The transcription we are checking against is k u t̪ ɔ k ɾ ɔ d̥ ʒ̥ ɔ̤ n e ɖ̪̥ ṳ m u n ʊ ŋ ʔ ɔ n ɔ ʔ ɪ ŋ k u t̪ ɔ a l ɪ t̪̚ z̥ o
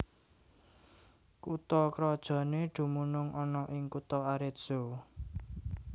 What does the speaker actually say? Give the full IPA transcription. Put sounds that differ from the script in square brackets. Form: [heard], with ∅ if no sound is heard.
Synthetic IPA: k u t̪ ɔ k ɾ ɔ d̥ ʒ̥ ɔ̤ n e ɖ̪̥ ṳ m u n ʊ ŋ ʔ ɔ n ɔ ʔ ɪ ŋ k u t̪ ɔ a [ɾ] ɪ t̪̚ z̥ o